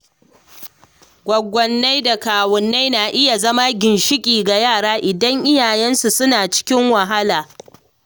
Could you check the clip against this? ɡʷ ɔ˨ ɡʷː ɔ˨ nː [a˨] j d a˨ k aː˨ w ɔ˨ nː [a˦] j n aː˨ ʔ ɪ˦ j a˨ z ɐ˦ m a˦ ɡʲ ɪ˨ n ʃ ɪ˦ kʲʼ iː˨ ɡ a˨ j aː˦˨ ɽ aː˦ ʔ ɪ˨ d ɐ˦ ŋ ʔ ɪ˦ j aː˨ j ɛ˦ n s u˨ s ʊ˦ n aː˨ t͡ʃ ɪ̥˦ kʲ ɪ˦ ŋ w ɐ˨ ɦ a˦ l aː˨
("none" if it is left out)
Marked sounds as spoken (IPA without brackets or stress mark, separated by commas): a˦, a˦